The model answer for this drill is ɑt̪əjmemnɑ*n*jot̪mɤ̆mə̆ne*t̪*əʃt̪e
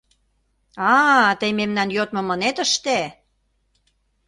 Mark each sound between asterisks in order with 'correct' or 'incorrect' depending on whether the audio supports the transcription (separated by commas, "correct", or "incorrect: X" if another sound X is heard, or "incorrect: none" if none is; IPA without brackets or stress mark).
correct, correct